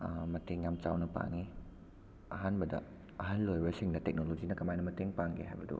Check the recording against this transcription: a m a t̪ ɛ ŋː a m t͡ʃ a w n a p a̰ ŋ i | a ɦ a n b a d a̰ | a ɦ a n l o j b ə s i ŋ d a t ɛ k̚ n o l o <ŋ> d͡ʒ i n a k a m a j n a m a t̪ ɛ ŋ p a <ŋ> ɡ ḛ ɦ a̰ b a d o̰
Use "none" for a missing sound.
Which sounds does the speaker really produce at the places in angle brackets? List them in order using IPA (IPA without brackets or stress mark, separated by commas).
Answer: none, ŋ